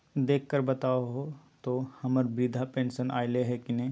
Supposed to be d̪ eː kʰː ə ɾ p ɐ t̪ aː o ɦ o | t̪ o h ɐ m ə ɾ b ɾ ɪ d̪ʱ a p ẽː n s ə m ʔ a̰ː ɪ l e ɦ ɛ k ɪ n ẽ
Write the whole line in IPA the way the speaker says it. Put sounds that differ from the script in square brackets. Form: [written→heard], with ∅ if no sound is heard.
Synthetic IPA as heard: d̪ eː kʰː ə ɾ [p→b] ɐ t̪ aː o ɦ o | t̪ o h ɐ m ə ɾ b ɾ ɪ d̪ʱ a p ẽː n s ə [m→n] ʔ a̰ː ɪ l e ɦ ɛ k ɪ n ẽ